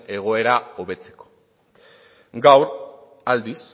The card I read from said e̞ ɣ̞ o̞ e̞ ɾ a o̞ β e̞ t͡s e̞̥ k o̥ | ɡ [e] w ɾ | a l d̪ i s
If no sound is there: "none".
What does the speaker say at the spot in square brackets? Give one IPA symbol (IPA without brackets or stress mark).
a